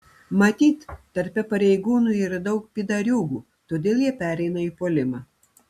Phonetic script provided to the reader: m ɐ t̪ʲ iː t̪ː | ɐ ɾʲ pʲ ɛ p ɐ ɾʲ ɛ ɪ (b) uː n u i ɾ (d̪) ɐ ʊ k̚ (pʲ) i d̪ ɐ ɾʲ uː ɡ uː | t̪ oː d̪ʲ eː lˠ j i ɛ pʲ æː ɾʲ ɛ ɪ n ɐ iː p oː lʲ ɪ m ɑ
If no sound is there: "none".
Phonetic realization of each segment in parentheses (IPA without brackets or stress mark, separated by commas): ɡ, d̪, pʲ